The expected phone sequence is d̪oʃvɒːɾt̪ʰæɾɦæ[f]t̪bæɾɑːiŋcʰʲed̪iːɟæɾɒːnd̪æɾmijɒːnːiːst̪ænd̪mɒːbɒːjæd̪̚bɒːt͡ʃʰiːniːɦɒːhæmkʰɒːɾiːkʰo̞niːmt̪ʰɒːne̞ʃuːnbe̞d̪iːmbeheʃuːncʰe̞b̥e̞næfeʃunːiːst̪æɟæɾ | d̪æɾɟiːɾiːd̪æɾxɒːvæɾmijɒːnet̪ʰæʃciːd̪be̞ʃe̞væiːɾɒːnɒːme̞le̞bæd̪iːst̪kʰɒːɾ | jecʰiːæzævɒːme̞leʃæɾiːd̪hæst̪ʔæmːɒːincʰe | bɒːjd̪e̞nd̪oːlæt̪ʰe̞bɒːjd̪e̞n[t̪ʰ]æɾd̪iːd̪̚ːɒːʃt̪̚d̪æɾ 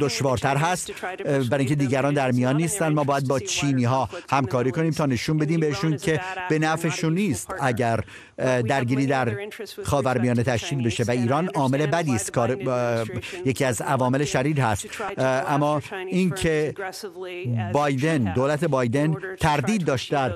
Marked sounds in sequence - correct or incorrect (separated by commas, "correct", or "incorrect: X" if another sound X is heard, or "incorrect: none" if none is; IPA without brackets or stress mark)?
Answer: incorrect: s, correct